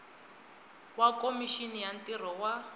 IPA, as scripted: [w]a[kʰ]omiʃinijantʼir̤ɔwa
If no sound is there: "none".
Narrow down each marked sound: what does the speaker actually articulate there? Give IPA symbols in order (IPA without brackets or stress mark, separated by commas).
w, k